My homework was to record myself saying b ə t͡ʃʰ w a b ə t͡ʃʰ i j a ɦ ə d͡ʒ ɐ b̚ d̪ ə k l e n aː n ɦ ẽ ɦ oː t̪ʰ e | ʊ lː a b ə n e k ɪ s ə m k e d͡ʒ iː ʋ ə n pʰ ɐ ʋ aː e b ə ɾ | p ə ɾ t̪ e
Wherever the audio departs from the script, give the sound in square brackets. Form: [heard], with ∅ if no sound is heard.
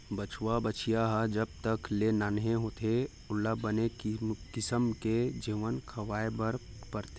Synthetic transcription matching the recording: b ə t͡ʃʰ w a b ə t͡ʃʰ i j a ɦ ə d͡ʒ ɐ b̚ [t̪] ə k l e n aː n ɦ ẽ ɦ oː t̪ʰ e | ʊ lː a b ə n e k ɪ s ə m k e d͡ʒ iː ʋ ə n [kʰ] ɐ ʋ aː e b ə ɾ | p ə ɾ t̪ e